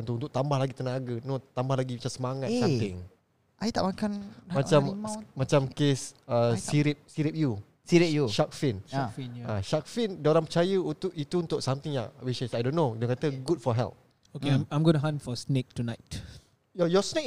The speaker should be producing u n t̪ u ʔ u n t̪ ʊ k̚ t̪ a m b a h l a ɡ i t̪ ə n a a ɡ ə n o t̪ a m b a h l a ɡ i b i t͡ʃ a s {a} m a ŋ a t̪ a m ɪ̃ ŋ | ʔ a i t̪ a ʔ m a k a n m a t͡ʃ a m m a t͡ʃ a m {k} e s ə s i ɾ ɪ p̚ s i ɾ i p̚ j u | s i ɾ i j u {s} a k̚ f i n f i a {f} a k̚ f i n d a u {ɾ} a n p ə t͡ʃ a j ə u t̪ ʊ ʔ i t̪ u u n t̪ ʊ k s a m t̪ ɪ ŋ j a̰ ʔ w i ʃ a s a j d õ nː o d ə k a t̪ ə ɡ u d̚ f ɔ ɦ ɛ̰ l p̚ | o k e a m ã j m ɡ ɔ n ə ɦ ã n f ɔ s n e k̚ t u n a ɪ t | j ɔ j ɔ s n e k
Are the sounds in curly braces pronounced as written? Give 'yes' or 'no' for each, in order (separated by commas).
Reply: no, yes, no, no, yes